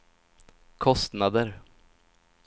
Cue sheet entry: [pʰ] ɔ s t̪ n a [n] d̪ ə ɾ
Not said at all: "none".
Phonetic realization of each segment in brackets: kʰ, none

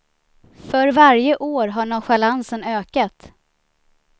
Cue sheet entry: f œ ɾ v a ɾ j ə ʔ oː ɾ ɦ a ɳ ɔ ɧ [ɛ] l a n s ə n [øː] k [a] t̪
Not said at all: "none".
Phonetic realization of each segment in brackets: a, øː, a

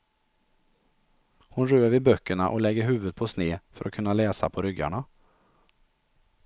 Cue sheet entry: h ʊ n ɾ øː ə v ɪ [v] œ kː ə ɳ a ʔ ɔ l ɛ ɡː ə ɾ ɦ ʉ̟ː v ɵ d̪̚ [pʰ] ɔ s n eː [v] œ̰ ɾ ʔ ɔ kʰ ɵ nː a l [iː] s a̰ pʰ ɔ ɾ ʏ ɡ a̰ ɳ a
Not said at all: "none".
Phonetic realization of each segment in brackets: b, pʰ, f, ɛː

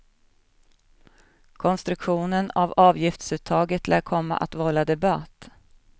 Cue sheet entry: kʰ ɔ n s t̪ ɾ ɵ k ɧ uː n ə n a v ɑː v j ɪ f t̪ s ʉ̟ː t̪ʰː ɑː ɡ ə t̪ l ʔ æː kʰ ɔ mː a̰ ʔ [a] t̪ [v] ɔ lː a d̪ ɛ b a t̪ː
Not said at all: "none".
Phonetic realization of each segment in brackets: a, v

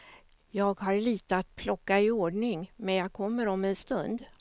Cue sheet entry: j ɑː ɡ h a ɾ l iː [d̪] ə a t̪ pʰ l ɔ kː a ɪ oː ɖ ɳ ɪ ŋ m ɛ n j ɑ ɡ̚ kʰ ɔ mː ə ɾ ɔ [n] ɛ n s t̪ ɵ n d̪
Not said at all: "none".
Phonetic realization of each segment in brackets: t̪, m

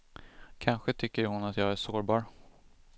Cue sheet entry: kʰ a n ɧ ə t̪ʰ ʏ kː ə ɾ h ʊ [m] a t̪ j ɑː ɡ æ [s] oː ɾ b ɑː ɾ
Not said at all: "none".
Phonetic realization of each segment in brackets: n, ʂ

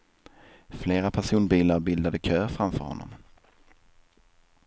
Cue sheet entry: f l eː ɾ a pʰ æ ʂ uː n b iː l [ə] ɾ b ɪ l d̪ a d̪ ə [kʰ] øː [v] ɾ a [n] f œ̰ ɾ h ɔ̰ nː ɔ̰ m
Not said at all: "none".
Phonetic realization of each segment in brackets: a, kʰ, f, m

